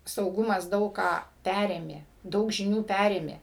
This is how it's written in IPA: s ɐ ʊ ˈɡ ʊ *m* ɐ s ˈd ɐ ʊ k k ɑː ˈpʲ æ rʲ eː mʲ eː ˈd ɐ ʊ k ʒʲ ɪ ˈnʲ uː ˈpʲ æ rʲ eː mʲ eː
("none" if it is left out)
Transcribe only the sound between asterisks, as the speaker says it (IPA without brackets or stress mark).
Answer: m